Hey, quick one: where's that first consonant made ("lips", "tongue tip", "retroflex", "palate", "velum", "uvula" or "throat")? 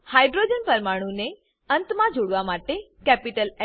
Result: throat